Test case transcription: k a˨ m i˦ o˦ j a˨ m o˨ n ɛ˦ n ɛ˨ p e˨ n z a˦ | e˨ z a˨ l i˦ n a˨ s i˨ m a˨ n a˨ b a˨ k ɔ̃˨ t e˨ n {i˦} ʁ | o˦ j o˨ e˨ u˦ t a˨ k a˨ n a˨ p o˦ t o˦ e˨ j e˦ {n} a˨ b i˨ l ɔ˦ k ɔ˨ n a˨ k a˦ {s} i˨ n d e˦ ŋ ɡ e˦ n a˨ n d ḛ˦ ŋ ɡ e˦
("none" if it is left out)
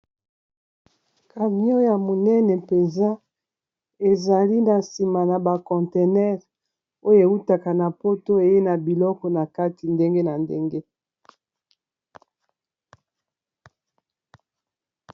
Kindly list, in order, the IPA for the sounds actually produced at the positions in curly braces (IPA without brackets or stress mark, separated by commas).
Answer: ɛ˦, n, t